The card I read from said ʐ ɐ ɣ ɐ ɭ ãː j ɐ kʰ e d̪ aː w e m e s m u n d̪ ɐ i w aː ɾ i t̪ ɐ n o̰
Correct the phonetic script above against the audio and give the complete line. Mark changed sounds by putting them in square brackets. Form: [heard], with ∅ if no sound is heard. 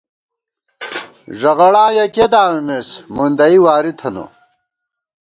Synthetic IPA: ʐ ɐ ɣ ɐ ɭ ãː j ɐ [k] e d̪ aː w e m e s m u n d̪ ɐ i w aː ɾ i [t̪ʰ] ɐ n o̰